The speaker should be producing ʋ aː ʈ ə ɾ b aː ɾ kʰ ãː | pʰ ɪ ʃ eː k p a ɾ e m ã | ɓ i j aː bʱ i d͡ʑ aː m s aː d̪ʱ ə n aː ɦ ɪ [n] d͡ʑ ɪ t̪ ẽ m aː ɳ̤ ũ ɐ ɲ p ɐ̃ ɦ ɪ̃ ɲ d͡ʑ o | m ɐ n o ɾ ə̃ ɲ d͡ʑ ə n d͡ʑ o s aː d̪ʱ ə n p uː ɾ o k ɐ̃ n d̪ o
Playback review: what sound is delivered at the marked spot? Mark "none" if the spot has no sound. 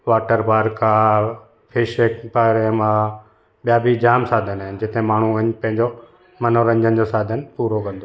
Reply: n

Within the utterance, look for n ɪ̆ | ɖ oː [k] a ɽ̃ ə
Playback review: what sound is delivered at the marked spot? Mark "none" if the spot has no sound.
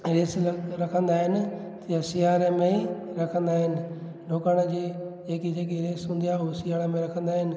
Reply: k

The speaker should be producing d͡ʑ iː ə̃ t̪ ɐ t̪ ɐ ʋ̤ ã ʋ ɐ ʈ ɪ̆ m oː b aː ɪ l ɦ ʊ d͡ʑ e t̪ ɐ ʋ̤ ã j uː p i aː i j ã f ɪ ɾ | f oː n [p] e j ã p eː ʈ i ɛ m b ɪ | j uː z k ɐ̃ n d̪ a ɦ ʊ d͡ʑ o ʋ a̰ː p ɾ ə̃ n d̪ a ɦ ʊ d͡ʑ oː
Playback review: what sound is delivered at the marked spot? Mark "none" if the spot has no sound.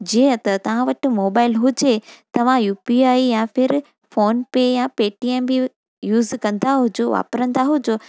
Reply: p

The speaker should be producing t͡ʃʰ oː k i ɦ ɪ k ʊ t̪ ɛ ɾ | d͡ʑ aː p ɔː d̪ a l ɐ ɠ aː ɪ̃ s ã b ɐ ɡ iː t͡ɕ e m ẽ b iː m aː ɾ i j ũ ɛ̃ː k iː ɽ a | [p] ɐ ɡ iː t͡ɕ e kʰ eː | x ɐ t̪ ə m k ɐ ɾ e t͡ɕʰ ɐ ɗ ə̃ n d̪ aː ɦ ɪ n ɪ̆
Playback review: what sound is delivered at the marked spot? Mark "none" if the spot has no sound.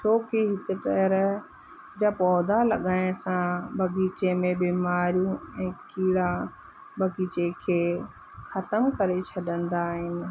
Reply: b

